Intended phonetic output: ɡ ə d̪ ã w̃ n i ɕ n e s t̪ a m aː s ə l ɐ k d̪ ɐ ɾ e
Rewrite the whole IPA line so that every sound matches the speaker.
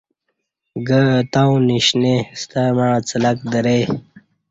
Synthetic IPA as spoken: ɡ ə t̪ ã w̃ n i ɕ n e s t̪ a m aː t͡s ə l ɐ k d̪ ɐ ɾ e